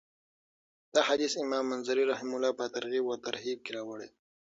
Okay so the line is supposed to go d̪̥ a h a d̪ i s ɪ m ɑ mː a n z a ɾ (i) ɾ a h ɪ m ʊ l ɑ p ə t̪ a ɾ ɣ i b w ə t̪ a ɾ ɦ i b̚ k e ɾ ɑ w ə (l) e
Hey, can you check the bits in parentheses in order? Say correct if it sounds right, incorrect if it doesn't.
correct, incorrect: ɽ

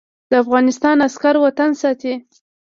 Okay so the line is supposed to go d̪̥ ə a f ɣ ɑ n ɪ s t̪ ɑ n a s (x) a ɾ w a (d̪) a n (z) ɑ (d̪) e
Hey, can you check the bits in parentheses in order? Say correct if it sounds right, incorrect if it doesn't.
incorrect: k, incorrect: t̪, incorrect: s, incorrect: t̪

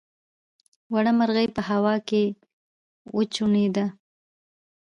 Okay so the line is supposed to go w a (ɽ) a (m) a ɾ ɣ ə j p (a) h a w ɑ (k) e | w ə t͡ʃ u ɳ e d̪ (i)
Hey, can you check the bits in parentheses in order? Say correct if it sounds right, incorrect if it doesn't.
correct, correct, incorrect: ə, correct, incorrect: a

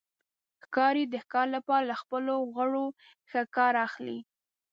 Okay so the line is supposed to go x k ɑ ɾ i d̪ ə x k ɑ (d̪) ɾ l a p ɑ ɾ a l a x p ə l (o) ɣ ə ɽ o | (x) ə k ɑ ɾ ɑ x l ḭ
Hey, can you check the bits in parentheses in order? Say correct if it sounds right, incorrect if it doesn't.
incorrect: none, correct, correct

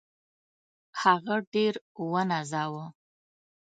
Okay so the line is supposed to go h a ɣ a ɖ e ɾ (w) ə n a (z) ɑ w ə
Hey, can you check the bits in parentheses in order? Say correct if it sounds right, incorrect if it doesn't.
correct, correct

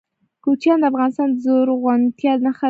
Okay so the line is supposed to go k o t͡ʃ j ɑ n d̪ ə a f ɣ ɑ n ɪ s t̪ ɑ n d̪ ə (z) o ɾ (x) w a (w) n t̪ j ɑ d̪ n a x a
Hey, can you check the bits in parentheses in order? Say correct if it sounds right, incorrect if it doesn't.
correct, incorrect: ɣ, incorrect: none

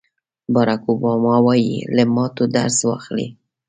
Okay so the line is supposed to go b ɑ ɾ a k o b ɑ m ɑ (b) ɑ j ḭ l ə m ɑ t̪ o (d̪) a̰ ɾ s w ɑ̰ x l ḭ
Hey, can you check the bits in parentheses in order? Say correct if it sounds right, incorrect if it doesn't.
incorrect: w, correct

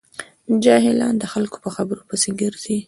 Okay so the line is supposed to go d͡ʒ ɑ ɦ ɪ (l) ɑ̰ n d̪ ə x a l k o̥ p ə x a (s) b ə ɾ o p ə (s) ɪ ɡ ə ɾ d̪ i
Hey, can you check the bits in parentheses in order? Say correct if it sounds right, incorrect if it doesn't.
correct, incorrect: none, correct

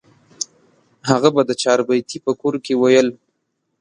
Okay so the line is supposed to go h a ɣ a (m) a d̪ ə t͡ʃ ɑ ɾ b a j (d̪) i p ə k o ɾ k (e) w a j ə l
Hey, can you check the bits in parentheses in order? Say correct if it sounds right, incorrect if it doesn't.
incorrect: b, incorrect: t̪, correct

